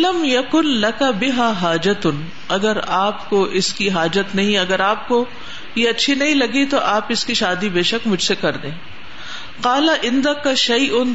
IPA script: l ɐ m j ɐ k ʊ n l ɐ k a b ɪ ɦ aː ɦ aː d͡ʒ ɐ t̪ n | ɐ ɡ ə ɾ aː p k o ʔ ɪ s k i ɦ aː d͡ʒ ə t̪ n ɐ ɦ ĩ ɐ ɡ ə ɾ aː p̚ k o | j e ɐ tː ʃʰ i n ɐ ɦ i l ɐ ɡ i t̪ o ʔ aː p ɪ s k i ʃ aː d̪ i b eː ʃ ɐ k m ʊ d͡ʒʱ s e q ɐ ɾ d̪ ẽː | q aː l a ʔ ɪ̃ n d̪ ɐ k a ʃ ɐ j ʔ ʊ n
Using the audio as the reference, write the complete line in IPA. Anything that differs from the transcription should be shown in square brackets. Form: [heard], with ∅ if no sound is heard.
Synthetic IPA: l ɐ m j ɐ k ʊ n l ɐ k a b ɪ ɦ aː ɦ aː d͡ʒ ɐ t̪ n | ɐ ɡ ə ɾ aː p k o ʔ ɪ s k i ɦ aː d͡ʒ ə t̪ n ɐ ɦ ĩ ɐ ɡ ə ɾ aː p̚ k o | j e ɐ tː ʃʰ i n ɐ ɦ [ĩ] l ɐ ɡ i t̪ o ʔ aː p ɪ s k i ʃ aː d̪ i b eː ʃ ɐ k m ʊ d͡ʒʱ s e [k] ɐ ɾ d̪ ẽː | q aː l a ʔ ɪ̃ n d̪ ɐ k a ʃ ɐ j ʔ ʊ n